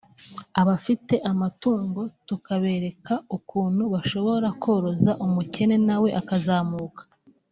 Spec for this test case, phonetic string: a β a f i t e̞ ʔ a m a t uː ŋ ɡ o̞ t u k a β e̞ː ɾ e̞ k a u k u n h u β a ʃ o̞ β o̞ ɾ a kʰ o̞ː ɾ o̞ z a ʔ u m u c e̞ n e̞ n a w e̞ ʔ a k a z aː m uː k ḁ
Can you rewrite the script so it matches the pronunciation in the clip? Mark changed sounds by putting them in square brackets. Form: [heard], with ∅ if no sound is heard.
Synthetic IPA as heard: a β a f i t e̞ ʔ a m a t uː ŋ ɡ o̞ t u k a β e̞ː ɾ e̞ k a u k [uː] n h u β a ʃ o̞ β o̞ ɾ a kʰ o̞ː ɾ o̞ z a ʔ u m u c e̞ n e̞ n a w e̞ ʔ a k a z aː m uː k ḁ